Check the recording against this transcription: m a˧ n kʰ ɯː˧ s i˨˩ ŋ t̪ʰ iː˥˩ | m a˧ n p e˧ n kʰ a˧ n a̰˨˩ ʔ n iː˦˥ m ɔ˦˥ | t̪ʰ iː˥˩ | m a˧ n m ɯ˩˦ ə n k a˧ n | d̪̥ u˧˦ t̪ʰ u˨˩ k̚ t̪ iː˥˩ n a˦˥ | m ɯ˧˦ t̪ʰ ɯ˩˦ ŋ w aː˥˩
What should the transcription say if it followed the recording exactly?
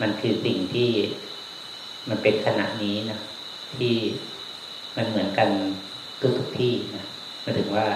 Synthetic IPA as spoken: m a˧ n kʰ ɯː˧ s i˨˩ ŋ t̪ʰ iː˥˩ | m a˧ n p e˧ n kʰ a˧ n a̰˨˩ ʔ n iː˦˥ n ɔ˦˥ | t̪ʰ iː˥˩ | m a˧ n m ɯ˩˦ ə n k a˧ n | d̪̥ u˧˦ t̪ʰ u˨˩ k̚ t̪ʰ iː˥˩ n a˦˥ | m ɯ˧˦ t̪ʰ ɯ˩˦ ŋ w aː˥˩